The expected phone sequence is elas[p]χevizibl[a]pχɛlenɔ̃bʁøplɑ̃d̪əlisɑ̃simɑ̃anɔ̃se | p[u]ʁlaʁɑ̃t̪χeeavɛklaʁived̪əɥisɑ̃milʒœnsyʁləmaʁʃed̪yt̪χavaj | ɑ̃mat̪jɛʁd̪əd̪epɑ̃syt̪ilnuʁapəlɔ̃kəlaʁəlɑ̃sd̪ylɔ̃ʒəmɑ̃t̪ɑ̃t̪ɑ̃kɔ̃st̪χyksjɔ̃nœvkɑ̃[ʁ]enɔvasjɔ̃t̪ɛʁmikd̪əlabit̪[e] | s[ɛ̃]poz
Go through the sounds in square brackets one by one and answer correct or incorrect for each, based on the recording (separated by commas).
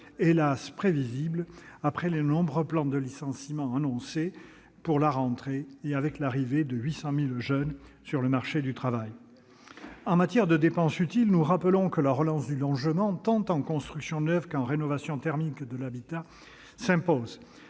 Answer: correct, correct, correct, correct, incorrect, correct